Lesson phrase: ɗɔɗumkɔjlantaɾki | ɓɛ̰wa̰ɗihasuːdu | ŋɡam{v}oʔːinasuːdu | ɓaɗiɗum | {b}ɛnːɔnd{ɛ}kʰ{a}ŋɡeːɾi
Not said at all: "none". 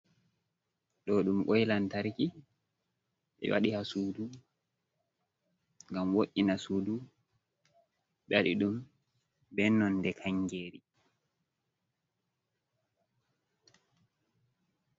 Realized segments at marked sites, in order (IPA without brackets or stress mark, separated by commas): w, b, ɛ, a